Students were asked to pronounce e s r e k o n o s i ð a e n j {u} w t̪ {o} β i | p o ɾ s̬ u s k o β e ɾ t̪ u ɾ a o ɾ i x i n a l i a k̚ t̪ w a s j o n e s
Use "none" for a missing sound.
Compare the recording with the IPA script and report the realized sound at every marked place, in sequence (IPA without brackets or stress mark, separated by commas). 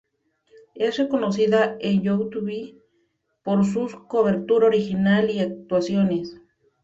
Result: o, u